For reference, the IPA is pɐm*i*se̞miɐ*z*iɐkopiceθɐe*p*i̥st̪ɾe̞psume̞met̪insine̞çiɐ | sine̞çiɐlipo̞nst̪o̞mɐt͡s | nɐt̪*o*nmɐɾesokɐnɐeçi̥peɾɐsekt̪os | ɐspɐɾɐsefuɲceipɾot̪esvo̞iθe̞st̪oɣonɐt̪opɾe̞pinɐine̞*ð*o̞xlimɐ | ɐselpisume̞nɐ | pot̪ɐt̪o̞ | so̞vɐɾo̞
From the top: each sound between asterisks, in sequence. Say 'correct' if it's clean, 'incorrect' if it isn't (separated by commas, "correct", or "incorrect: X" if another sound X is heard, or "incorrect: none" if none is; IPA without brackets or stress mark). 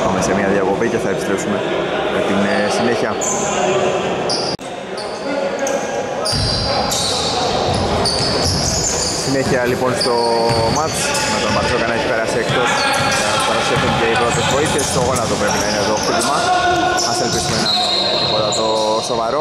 incorrect: e, incorrect: ð, correct, correct, correct